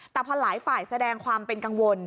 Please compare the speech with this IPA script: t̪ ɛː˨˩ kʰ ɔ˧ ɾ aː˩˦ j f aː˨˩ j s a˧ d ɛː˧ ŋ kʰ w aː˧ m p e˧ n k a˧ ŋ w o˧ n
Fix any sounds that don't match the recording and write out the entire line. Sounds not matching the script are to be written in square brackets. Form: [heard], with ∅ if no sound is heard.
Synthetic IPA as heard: t̪ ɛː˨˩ [pʰ] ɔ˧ [l] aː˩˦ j f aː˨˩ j s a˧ d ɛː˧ ŋ kʰ w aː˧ m p e˧ n k a˧ ŋ w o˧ n

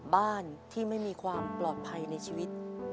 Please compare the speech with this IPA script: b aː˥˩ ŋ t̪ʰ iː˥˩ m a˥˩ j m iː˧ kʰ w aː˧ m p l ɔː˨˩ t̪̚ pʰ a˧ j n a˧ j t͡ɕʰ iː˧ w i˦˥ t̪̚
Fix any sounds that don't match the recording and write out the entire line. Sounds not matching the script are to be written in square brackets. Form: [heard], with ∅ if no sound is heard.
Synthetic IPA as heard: b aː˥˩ [n] t̪ʰ iː˥˩ m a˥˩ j m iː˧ kʰ w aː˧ m p l ɔː˨˩ t̪̚ pʰ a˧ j n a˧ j t͡ɕʰ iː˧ w i˦˥ t̪̚

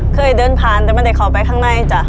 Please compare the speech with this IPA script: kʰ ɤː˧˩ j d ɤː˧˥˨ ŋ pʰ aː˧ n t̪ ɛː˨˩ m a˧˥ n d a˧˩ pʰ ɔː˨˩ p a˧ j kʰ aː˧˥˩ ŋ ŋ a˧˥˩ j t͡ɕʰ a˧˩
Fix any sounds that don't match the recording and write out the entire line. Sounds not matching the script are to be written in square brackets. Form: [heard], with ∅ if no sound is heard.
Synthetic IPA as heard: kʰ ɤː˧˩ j d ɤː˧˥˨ [n] pʰ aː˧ n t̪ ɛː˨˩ m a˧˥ n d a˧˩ [kʰ] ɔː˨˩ p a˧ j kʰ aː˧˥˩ ŋ [n] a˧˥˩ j [t͡ɕ] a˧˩

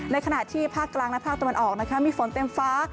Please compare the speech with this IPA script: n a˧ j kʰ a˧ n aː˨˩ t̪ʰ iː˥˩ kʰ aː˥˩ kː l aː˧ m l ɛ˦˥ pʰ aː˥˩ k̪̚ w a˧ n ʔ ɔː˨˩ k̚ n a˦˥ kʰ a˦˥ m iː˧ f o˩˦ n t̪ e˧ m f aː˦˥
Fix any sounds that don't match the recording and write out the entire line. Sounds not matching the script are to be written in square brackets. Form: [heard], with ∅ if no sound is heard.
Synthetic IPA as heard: n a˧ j kʰ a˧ n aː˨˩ t̪ʰ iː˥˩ [pʰ] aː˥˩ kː l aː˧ [ŋ] l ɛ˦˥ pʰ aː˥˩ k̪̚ w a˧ n ʔ ɔː˨˩ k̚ n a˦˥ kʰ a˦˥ m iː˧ f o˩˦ n t̪ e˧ m f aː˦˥

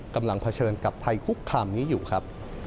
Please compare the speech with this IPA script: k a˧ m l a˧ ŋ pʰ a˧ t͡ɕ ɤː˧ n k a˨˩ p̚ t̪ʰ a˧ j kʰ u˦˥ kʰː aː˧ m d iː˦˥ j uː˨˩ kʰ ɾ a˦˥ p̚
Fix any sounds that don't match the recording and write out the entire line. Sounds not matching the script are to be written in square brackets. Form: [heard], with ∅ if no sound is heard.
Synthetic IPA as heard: k a˧ m l a˧ ŋ pʰ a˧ [t͡ɕʰ] ɤː˧ n k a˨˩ p̚ t̪ʰ a˧ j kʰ u˦˥ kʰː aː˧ m [n] iː˦˥ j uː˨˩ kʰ ɾ a˦˥ p̚

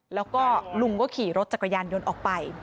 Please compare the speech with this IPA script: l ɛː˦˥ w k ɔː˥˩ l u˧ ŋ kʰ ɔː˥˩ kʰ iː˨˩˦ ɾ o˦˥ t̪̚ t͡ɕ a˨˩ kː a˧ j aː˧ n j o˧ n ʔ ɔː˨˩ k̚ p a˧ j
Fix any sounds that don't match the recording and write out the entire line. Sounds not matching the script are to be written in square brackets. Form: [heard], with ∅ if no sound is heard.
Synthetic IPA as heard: l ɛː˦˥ w k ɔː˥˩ l u˧ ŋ [k] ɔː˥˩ kʰ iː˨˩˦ ɾ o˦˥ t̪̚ t͡ɕ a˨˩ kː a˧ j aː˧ n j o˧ n ʔ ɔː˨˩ k̚ p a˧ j

